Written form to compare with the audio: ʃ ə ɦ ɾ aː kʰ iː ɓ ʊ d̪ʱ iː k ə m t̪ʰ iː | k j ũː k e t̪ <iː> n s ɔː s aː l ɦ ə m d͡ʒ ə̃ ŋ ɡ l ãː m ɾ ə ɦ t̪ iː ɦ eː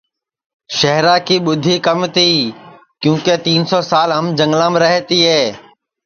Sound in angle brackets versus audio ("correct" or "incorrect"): correct